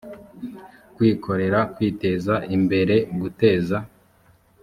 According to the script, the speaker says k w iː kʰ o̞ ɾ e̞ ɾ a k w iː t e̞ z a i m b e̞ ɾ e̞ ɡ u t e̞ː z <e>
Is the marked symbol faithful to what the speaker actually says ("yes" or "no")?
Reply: no